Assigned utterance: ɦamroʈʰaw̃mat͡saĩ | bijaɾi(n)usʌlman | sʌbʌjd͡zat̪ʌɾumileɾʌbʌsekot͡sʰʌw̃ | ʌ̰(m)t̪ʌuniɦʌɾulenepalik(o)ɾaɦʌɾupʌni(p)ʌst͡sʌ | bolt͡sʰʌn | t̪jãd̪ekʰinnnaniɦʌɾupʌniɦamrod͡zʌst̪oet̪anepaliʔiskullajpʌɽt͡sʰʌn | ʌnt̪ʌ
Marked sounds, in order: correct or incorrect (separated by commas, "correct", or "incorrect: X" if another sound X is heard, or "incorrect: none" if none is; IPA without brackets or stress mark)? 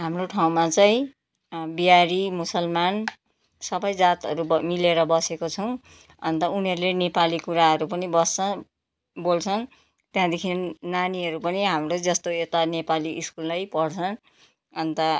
incorrect: m, incorrect: n, incorrect: u, incorrect: b